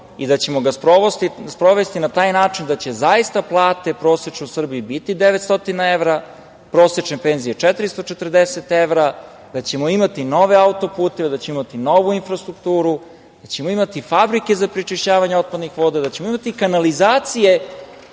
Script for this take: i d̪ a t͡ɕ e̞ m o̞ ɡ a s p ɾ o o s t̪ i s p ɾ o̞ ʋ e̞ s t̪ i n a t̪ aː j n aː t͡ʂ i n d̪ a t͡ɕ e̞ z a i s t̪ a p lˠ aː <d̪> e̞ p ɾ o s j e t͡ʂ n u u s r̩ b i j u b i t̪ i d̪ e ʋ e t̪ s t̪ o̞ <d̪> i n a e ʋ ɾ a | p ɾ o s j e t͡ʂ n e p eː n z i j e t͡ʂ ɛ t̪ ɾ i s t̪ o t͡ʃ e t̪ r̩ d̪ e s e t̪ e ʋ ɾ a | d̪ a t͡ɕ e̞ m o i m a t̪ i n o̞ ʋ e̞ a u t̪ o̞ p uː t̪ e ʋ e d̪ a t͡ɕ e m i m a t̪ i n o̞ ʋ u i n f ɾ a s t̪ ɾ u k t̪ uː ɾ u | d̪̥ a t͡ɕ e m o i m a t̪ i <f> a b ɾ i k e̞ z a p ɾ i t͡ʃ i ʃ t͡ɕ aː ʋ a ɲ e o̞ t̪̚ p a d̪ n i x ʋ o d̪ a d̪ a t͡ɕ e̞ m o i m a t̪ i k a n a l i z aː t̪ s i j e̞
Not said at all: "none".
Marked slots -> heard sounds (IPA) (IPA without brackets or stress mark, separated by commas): t̪, t̪, f